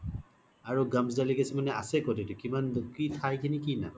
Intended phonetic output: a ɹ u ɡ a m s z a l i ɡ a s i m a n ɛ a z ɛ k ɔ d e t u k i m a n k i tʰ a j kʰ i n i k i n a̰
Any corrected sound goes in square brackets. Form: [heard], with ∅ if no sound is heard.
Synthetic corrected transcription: a ɹ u ɡ a m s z a l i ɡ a s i m a n ɛ a [s] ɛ k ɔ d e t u k i m a n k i tʰ a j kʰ i n i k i n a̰